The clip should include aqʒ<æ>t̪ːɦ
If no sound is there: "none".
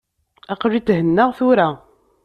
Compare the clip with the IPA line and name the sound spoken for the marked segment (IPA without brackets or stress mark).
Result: i